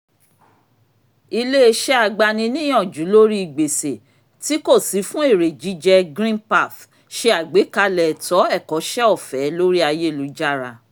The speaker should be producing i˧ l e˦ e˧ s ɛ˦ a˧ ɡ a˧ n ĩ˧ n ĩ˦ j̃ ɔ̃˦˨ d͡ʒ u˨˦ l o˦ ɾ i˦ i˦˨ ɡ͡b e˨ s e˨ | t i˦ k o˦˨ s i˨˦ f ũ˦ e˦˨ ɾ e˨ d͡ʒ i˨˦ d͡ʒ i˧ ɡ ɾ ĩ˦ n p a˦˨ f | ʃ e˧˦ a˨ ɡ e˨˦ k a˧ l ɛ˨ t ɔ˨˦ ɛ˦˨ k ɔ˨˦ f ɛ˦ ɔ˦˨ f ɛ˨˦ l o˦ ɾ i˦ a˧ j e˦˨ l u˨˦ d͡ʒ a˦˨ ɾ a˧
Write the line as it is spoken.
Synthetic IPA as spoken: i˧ l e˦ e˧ ʃ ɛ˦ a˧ ɡ͡b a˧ n ĩ˧ n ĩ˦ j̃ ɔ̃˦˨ d͡ʒ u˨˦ l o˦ ɾ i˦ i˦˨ ɡ͡b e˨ s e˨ | t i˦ k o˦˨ s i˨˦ f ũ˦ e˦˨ ɾ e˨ d͡ʒ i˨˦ d͡ʒ ɛ˧ ɡ ɾ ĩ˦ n p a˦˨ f | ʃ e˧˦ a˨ ɡ͡b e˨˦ k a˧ l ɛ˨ t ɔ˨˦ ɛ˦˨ k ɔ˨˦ ʃ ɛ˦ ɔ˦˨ f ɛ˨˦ l o˦ ɾ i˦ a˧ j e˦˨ l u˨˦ d͡ʒ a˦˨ ɾ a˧